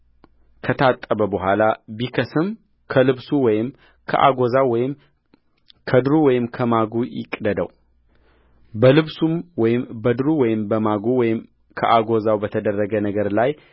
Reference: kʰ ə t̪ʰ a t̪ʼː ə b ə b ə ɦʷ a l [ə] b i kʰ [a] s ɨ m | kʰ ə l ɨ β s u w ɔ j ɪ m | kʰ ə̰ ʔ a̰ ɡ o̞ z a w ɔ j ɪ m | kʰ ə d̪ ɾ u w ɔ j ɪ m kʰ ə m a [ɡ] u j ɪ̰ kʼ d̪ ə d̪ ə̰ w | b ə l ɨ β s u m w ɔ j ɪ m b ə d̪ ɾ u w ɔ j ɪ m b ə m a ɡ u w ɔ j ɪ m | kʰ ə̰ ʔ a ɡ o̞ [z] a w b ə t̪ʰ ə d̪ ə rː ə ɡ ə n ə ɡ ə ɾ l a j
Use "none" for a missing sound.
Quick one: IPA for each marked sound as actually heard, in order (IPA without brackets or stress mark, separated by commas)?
a, ə, ɡ, z